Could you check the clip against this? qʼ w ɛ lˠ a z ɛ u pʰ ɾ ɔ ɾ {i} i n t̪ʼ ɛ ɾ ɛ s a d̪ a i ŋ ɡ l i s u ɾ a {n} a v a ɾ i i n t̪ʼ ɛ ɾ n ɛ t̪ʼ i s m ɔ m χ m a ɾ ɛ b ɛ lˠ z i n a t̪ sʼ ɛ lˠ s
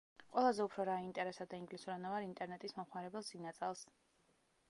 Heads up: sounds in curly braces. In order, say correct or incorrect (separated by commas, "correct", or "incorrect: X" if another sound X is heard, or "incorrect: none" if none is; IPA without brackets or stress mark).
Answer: incorrect: a, correct